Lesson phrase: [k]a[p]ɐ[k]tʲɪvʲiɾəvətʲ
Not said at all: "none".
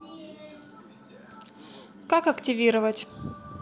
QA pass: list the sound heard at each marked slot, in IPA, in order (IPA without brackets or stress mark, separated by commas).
k, k, k